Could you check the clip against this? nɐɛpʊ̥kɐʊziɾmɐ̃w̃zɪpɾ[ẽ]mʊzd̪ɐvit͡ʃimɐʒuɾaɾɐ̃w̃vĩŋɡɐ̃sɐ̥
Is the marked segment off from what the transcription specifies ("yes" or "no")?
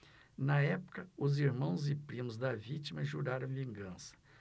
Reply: yes